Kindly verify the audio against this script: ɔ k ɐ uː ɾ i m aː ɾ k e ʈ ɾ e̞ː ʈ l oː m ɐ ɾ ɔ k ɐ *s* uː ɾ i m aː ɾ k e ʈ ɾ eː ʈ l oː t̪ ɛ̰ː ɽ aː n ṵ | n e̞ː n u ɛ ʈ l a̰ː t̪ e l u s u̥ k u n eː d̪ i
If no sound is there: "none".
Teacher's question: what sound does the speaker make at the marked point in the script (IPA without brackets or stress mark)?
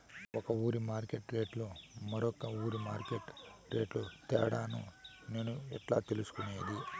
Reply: none